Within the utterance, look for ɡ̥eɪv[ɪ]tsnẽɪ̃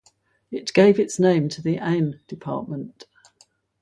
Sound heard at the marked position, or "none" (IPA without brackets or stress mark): ɪ